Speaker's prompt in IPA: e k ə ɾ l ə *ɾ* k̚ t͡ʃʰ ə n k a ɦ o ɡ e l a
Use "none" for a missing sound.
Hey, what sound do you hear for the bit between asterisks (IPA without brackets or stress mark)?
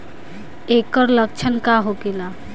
none